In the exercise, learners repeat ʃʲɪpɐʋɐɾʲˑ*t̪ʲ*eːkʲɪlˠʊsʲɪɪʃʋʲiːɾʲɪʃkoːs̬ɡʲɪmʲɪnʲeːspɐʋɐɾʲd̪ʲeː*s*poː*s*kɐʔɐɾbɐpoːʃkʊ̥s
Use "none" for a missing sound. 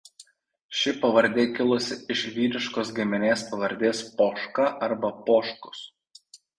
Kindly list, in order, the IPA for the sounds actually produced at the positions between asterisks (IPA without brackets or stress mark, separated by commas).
d̪ʲ, s, ʃ